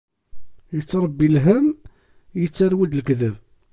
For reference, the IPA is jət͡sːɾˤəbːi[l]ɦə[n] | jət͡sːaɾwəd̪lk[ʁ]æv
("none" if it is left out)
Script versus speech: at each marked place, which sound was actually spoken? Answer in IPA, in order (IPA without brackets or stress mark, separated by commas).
l, m, ð